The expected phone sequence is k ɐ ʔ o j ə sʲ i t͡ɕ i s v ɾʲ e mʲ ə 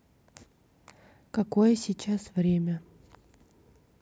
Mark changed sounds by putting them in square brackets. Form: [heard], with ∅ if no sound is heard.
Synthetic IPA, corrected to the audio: k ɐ [k] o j ə sʲ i t͡ɕ [a] s v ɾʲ e mʲ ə